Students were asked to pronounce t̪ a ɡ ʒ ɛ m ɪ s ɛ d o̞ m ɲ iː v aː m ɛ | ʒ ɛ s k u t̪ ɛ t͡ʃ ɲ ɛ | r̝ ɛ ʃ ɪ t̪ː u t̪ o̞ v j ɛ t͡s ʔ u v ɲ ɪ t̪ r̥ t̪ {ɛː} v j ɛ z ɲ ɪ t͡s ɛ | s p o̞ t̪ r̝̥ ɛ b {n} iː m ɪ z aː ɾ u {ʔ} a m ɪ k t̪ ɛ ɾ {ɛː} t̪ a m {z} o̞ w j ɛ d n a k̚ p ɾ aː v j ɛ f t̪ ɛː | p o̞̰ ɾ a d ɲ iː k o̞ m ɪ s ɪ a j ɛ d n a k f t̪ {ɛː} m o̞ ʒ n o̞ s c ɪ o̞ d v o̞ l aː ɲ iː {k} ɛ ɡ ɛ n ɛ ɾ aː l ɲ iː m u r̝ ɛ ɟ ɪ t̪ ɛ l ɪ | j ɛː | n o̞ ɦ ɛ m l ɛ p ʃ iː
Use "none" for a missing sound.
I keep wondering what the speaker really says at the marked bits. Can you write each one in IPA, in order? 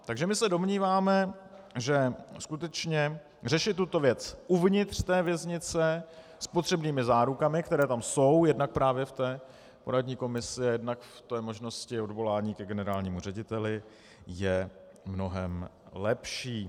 ɛː, n, k, ɛː, s, ɛː, k

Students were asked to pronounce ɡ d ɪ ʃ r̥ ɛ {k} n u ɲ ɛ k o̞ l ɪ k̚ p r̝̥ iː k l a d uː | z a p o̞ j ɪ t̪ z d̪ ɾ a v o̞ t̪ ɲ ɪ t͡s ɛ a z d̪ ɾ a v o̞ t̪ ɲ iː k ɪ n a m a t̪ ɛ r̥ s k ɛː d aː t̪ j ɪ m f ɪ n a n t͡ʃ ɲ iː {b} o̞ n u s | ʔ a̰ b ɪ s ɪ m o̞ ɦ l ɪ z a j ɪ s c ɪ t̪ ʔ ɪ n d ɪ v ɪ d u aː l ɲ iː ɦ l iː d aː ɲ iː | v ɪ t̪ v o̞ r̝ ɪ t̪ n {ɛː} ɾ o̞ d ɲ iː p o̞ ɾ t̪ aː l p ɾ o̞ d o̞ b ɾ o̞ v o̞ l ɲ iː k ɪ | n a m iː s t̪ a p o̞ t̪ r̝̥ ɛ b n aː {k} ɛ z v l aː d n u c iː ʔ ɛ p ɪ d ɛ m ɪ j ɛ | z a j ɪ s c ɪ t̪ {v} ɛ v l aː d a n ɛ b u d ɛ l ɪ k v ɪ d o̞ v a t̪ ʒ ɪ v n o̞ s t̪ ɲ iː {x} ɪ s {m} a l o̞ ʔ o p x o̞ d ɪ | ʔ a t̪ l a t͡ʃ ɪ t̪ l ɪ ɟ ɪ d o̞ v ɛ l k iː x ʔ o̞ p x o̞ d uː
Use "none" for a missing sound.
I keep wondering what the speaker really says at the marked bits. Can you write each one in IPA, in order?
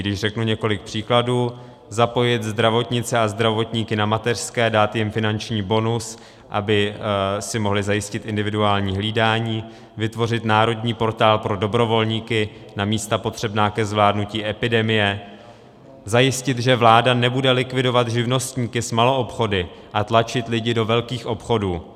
k, b, aː, k, ʒ, k, m

